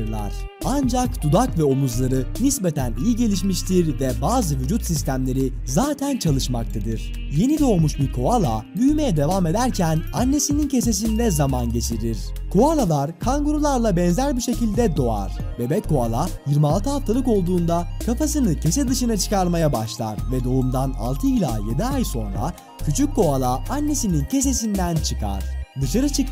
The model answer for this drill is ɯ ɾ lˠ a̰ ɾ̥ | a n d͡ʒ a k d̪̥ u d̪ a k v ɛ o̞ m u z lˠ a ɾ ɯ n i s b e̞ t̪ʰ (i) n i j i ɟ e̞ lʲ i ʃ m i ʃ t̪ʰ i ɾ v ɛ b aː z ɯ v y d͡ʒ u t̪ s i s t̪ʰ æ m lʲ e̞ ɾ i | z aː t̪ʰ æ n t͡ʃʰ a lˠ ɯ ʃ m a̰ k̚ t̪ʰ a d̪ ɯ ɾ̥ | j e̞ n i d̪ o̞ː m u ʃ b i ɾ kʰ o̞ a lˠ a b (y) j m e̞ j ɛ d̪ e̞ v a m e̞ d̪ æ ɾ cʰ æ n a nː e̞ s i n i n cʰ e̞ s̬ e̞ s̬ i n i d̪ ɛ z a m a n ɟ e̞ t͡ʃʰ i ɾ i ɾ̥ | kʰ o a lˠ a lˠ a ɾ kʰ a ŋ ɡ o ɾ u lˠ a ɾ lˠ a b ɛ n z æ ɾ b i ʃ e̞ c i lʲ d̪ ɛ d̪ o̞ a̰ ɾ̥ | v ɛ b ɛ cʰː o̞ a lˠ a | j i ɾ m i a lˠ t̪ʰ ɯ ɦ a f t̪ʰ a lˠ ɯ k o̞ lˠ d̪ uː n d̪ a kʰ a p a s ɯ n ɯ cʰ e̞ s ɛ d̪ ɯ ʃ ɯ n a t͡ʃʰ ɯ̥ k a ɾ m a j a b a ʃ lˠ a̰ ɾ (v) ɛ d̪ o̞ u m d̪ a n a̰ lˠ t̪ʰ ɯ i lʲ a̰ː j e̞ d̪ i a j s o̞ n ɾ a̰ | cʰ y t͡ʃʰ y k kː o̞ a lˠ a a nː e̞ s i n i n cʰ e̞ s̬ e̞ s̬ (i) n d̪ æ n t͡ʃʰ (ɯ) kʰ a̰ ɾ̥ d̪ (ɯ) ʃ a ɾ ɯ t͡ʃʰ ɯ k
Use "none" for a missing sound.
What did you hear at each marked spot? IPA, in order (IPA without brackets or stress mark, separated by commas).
æ, y, v, i, ɯ, ɯ